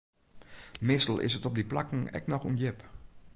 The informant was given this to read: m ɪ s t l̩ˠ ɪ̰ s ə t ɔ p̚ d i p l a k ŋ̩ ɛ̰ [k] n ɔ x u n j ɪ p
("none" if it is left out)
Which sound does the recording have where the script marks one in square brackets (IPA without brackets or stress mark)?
k